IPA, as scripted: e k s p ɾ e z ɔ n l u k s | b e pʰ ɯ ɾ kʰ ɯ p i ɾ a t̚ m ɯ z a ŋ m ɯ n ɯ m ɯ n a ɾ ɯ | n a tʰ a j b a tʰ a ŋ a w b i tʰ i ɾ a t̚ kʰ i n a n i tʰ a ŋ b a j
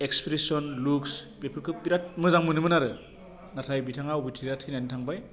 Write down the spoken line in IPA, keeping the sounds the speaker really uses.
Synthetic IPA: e k s p ɾ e s ɔ n l u k s | b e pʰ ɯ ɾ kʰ ɯ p i ɾ a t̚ m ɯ z a ŋ m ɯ n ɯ m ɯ n a ɾ ɯ | n a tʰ a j b i tʰ a ŋ a w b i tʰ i ɾ a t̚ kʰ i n a n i tʰ a ŋ b a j

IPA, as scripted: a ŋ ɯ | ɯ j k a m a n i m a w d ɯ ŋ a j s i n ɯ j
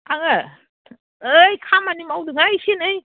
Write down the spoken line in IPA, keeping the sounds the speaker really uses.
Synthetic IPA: a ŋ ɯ | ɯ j kʰ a m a n i m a w d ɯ ŋ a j s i n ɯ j

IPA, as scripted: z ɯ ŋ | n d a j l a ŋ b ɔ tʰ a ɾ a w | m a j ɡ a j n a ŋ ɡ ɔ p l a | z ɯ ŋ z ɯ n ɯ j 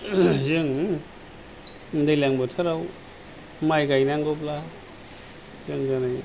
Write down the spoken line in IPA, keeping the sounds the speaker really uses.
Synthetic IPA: z ɯ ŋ | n d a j l a ŋ b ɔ tʰ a ɾ a w | m a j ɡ a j n a ŋ ɡ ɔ p l a | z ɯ ŋ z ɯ n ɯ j

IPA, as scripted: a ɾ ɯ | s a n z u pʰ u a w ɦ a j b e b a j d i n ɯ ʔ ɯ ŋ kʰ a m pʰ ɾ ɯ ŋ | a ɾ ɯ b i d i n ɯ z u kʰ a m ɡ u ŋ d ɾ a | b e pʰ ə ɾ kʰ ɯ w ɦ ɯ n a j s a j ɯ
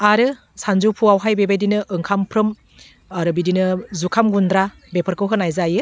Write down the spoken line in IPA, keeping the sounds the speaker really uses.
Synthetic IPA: a ɾ ɯ | s a n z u pʰ u a w ɦ a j b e b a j d i n ɯ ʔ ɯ ŋ kʰ a m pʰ ɾ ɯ m | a ɾ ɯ b i d i n ɯ z u kʰ a m ɡ u n d ɾ a | b e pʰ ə ɾ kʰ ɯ w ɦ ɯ n a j z a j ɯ

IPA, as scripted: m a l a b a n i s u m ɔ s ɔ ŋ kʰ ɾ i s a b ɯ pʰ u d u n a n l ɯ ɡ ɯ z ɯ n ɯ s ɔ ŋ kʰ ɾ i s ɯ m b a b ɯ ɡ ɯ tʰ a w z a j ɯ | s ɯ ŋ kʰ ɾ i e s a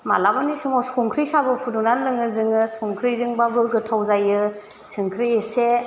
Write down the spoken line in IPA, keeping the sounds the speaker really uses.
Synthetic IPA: m a l a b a n i s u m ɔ s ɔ ŋ kʰ ɾ i s a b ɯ pʰ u d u n a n l ɯ ŋ ɯ z ɯ ŋ ɯ s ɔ ŋ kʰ ɾ i z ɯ ŋ b a b ɯ ɡ ɯ tʰ a w z a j ɯ | s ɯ ŋ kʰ ɾ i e s e

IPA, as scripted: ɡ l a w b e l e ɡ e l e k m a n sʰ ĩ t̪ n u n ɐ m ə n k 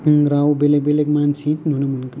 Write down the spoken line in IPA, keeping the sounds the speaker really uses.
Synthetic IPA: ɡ ɾ a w b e l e b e l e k m a n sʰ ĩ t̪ n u n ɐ m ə n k

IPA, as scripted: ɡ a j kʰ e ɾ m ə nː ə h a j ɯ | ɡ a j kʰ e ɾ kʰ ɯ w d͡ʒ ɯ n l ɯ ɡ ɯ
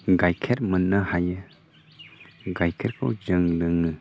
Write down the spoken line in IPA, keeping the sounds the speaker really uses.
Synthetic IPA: ɡ a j kʰ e ɾ m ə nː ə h a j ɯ | ɡ a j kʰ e ɾ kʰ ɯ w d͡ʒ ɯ ŋ l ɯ ŋ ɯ

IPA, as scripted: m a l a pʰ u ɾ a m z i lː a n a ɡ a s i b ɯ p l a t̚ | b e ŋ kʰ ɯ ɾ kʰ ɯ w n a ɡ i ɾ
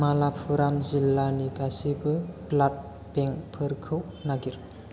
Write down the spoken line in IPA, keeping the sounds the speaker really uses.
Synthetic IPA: m a l a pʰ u ɾ a m z i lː a n i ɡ a s i b ɯ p l a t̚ | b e ŋ pʰ ɯ ɾ kʰ ɯ w n a ɡ i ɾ

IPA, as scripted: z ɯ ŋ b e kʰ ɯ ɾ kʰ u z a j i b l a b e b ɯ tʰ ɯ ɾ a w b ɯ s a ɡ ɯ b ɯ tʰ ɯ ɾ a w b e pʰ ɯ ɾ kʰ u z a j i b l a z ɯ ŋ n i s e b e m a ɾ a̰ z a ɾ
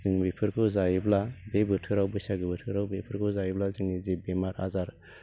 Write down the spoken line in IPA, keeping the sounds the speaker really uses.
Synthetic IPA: z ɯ ŋ b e pʰ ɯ ɾ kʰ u z a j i b l a b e b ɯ tʰ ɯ ɾ a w b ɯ s a ɡ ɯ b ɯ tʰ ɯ ɾ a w b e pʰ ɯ ɾ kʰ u z a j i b l a z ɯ ŋ n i z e b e m a ɾ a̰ z a ɾ

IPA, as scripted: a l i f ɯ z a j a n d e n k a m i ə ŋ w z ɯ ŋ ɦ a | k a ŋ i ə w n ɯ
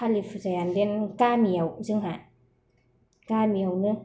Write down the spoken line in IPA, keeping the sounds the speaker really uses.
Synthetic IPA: a l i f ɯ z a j a n d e n k a m i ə w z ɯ ŋ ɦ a | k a m i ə w n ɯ

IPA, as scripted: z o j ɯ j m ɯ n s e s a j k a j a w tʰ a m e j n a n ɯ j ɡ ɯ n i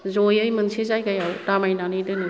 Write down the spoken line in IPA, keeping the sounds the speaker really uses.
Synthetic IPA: z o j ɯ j m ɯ n s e z a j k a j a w t a m a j n a n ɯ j d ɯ n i

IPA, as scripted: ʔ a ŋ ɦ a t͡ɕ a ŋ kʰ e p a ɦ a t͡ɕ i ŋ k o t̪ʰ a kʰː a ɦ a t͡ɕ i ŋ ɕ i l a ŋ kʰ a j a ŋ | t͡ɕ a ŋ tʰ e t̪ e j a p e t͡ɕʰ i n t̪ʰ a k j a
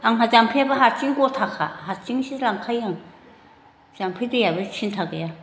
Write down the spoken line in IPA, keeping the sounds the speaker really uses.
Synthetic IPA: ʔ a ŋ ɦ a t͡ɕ a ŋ pʰ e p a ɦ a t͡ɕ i ŋ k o t̪ʰ a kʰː a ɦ a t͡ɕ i ŋ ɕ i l a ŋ kʰ a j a ŋ | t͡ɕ a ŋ pʰ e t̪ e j a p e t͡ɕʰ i n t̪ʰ a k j a

